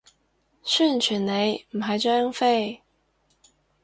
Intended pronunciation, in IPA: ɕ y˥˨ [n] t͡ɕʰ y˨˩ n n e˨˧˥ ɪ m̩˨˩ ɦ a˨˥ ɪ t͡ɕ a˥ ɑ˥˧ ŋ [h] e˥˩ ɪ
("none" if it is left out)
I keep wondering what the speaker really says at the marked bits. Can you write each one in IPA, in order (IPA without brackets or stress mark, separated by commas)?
n, f